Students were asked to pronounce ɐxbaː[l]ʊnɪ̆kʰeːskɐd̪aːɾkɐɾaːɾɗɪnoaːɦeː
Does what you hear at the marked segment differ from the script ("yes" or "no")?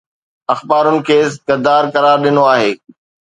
yes